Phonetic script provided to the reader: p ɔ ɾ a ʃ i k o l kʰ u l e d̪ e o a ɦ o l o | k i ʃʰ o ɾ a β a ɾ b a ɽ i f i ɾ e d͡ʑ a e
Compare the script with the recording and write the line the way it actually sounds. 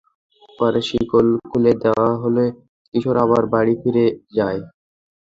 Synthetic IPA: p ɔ ɾ e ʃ i k o l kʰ u l e d̪ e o a ɦ o l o | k i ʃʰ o ɾ a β a ɾ b a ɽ i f i ɾ e d͡ʑ a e